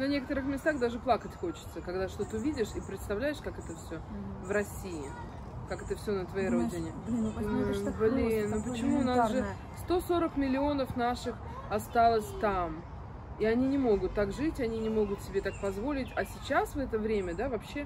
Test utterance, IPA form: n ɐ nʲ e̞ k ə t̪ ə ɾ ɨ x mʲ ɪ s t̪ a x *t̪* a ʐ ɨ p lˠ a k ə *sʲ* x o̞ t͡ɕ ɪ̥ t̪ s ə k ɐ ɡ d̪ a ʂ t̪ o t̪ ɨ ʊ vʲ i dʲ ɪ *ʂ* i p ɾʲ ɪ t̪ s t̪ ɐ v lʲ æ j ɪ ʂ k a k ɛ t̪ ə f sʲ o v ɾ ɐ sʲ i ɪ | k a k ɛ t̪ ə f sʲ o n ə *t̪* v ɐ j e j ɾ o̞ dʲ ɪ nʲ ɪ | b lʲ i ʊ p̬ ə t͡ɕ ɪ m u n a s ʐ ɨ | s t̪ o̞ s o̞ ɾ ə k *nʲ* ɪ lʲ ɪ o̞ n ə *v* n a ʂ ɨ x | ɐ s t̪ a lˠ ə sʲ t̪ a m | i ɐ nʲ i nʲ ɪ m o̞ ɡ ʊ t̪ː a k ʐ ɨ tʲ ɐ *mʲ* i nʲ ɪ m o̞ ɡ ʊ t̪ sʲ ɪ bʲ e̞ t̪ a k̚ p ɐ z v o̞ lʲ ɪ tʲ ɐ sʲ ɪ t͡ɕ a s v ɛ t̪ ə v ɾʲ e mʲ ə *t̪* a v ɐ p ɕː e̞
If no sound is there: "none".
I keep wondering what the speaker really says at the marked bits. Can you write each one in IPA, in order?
d̪, tʲ, ʂ, t̪, mʲ, f, nʲ, d̪

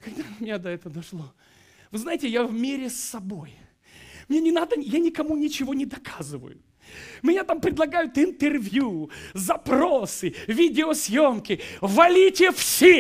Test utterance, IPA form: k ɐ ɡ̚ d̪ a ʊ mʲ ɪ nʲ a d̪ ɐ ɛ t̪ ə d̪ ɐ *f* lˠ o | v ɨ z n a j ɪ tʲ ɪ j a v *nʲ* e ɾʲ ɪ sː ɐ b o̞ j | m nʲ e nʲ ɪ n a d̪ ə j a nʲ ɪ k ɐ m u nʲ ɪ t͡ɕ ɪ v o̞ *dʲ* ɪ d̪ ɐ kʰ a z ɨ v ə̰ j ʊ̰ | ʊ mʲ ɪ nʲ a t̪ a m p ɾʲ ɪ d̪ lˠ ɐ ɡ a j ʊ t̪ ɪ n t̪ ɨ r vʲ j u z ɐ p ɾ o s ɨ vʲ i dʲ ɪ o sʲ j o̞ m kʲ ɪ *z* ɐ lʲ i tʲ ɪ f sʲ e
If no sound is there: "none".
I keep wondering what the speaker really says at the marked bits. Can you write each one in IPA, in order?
ʂ, mʲ, nʲ, v

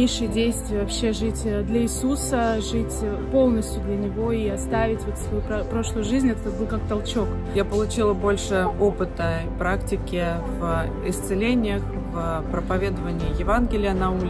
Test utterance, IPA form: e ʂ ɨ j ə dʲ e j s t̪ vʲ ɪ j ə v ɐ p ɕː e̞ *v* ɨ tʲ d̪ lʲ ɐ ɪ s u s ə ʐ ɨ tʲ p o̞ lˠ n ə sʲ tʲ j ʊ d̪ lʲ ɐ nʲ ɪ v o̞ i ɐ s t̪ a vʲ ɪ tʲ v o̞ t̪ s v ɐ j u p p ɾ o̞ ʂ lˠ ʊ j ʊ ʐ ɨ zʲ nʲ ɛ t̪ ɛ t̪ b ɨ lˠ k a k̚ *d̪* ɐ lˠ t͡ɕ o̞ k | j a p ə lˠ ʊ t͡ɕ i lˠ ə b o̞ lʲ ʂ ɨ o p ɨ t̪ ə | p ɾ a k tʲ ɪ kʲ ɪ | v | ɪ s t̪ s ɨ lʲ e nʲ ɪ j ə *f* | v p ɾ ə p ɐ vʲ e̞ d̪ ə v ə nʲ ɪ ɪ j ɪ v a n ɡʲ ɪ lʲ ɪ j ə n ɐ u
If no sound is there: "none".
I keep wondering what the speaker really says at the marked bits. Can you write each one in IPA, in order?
ʐ, t̪, x

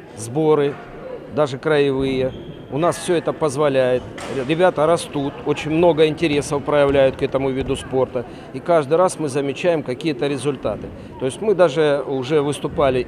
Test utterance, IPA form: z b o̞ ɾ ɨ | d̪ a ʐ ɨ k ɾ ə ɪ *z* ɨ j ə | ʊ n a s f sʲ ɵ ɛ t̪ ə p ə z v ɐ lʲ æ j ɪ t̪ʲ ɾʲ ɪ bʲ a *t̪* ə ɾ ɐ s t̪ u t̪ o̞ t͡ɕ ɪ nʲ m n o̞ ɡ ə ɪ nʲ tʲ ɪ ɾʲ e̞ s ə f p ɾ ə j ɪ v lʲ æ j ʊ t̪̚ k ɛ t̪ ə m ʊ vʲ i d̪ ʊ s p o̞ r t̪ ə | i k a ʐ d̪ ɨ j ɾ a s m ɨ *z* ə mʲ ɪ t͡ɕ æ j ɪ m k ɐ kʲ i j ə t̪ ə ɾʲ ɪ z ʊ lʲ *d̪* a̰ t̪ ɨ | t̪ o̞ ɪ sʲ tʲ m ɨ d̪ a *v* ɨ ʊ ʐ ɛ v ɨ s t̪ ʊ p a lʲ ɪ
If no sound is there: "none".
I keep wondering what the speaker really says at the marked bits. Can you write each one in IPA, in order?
v, t̪, z, t̪, ʐ

